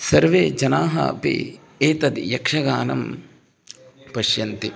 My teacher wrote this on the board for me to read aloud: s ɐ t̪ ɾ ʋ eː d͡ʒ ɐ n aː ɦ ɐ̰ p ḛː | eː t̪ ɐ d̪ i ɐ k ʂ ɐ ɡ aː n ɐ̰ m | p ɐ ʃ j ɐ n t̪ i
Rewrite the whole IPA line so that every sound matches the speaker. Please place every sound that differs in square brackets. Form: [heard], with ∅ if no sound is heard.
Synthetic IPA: s ɐ [∅] ɾ ʋ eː d͡ʒ ɐ n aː ɦ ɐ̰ p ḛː | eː t̪ ɐ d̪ [j] ɐ k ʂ ɐ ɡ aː n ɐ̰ m | p ɐ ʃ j ɐ n t̪ i

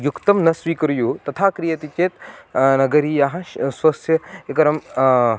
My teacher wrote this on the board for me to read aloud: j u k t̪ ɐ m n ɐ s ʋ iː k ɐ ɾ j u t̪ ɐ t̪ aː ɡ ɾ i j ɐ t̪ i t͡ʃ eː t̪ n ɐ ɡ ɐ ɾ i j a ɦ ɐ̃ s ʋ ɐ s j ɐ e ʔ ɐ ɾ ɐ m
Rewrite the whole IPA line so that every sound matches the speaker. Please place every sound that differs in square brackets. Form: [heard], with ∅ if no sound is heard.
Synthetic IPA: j u k t̪ ɐ m n ɐ s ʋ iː k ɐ ɾ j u t̪ ɐ [t̪ʰ] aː [k] ɾ i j ɐ t̪ i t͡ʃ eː t̪ n ɐ ɡ ɐ ɾ i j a ɦ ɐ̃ s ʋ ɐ s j ɐ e [k] ɐ ɾ ɐ m

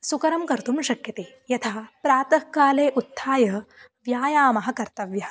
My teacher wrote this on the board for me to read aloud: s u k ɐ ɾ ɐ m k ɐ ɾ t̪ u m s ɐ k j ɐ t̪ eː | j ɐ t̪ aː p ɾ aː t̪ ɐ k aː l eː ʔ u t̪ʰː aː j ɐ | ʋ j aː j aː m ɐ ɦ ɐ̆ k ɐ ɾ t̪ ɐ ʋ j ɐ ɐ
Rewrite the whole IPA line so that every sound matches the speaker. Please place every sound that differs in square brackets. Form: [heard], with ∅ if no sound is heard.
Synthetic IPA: s u k ɐ ɾ ɐ m k ɐ ɾ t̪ u m [ʃ] ɐ k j ɐ t̪ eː | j ɐ [t̪ʰ] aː p ɾ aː t̪ ɐ k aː l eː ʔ u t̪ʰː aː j ɐ | ʋ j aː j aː m ɐ ɦ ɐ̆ k ɐ ɾ t̪ ɐ ʋ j ɐ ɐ

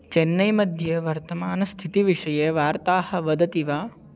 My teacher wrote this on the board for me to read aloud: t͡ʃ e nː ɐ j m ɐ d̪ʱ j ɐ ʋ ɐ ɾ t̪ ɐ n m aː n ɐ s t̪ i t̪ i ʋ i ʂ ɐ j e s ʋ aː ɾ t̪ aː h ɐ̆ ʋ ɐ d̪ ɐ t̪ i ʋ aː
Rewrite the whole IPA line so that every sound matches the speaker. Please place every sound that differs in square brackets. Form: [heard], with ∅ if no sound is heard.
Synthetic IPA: t͡ʃ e nː ɐ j m ɐ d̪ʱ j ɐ ʋ ɐ ɾ t̪ ɐ [∅] m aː n ɐ s [t̪ʰ] i t̪ i ʋ i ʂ ɐ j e [∅] ʋ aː ɾ t̪ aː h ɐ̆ ʋ ɐ d̪ ɐ t̪ i ʋ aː

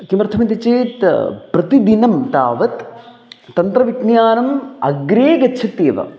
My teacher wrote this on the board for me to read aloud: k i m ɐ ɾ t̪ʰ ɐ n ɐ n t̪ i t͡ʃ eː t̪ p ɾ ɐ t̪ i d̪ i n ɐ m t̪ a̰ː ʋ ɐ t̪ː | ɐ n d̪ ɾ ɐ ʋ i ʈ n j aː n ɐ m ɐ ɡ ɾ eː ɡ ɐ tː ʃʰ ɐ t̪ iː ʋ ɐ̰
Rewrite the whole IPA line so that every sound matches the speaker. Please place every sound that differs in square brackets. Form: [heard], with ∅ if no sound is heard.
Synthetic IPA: k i m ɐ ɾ t̪ʰ ɐ [m] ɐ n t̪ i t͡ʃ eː t̪ p ɾ ɐ t̪ i d̪ i n ɐ m t̪ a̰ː ʋ ɐ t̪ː | ɐ n [t̪] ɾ ɐ ʋ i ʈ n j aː n ɐ m ɐ ɡ ɾ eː ɡ ɐ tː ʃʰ ɐ t̪ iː ʋ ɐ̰

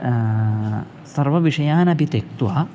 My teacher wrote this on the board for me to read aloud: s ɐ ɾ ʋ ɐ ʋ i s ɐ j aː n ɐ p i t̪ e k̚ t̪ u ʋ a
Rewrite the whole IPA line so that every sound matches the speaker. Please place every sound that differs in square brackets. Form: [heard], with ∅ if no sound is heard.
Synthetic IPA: s ɐ ɾ ʋ ɐ ʋ i [ʂ] ɐ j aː n ɐ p i t̪ e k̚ t̪ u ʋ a

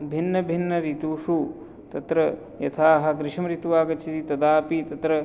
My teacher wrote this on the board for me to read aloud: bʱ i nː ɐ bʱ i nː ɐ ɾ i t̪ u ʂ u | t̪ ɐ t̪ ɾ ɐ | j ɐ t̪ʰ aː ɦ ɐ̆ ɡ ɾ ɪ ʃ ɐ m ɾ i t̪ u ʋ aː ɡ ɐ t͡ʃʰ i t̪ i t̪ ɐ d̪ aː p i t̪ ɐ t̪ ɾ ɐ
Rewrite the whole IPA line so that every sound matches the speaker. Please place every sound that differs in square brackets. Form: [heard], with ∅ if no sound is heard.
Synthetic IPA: bʱ i nː ɐ bʱ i nː ɐ ɾ i t̪ u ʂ u | t̪ ɐ t̪ ɾ ɐ | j ɐ t̪ʰ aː ɦ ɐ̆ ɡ ɾ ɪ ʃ ɐ m ɾ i t̪ u ʋ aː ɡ ɐ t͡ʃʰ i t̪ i t̪ ɐ d̪ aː p i t̪ ɐ t̪ ɾ ɐ

